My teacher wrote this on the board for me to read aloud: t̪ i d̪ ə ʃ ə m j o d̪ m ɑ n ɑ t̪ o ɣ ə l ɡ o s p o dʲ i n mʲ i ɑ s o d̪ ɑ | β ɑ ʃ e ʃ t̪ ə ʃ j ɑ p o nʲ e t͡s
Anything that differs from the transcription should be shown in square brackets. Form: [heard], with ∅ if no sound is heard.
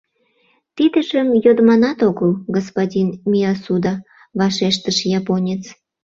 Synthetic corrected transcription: t̪ i d̪ ə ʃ ə m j o d̪ m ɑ n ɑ t̪ o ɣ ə l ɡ o s p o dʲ i n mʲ i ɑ s [u] d̪ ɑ | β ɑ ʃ e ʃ t̪ ə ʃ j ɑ p o nʲ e t͡s